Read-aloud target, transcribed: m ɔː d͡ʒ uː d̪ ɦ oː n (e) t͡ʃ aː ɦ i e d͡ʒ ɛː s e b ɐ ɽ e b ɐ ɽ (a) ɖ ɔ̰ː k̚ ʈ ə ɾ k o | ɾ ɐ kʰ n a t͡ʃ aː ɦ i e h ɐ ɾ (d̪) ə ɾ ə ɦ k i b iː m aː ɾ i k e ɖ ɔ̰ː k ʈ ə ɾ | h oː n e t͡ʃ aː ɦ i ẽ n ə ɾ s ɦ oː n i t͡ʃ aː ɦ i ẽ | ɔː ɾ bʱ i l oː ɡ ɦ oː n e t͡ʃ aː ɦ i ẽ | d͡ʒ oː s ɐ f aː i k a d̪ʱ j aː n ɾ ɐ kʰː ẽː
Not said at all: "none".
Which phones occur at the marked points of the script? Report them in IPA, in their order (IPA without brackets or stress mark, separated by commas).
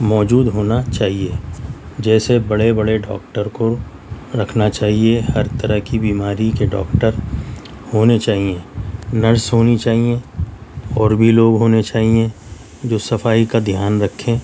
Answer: a, e, t̪